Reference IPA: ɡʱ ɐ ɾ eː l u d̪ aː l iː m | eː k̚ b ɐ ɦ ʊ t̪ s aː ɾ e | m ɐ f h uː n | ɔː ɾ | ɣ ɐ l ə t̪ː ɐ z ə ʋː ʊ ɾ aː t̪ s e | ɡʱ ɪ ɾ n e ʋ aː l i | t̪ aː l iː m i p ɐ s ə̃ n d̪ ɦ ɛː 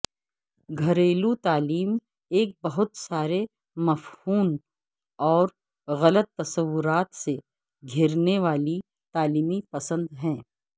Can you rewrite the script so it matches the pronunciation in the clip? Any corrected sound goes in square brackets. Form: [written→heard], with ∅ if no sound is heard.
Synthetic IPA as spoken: ɡʱ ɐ ɾ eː l u [d̪→t̪] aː l iː m | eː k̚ b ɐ ɦ ʊ t̪ s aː ɾ e | m ɐ f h uː n | ɔː ɾ | ɣ ɐ l ə t̪ː ɐ [z→s] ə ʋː ʊ ɾ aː t̪ s e | ɡʱ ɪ ɾ n e ʋ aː l i | t̪ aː l iː m i p ɐ s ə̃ n d̪ ɦ [ɛː→ɛ̃ː]